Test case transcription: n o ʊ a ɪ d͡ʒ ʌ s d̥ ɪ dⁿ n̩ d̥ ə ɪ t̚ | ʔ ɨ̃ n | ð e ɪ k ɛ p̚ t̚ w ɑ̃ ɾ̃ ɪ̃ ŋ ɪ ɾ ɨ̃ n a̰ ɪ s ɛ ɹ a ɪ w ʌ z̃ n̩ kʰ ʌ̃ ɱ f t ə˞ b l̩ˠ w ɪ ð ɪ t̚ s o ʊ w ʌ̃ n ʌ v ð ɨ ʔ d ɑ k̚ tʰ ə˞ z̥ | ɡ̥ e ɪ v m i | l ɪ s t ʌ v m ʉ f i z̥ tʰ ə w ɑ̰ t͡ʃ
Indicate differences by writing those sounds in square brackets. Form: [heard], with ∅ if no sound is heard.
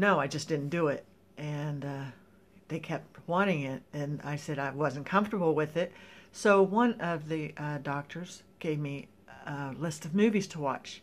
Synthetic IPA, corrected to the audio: n o ʊ a ɪ d͡ʒ ʌ s d̥ ɪ dⁿ n̩ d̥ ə ɪ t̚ | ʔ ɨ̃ n | ð e ɪ [kʰ] ɛ p̚ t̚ w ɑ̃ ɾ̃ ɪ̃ ŋ ɪ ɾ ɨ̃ n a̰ ɪ s ɛ [ɾ] a ɪ w ʌ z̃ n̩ kʰ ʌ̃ ɱ f t ə˞ b l̩ˠ w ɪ ð ɪ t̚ s o ʊ w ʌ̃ n ʌ v ð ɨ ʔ d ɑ k̚ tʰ ə˞ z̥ | ɡ̥ e ɪ v m i | l ɪ s t ʌ v m ʉ [v] i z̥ tʰ ə w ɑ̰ t͡ʃ

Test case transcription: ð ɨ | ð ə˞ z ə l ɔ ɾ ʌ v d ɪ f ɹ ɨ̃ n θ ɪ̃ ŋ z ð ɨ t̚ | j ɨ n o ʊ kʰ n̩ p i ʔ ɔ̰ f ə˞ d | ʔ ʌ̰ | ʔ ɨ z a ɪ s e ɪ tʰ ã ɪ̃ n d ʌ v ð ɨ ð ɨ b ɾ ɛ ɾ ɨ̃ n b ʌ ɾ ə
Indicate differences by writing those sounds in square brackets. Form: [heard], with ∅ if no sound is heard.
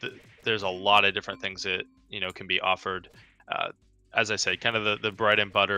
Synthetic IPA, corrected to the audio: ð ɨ | ð ə˞ z ə l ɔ ɾ ʌ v d ɪ f ɹ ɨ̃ n θ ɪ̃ ŋ z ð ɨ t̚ | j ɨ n o ʊ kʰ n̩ [b] i ʔ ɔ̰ f ə˞ d | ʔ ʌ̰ | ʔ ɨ z a ɪ s e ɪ [kʰ] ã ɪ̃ n d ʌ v ð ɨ ð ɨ b [ɹ] ɛ ɾ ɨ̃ n b ʌ ɾ ə

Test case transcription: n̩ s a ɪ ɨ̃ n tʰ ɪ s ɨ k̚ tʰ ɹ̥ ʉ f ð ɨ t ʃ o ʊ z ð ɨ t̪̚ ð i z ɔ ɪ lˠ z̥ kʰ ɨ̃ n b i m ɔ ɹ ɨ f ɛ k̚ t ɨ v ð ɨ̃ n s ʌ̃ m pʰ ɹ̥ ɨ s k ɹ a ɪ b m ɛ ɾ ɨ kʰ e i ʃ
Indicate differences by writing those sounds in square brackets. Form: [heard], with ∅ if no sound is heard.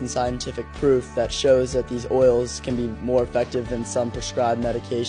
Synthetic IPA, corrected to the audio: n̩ s a ɪ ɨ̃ n tʰ ɪ [f] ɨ k̚ [pʰ] ɹ̥ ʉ f ð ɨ t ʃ o ʊ z ð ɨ t̪̚ ð i z ɔ ɪ lˠ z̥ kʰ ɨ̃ n b i m ɔ ɹ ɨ f ɛ k̚ t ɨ v ð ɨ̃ n s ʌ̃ m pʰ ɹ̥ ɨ s k ɹ a ɪ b m ɛ ɾ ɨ kʰ e [ɪ] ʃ

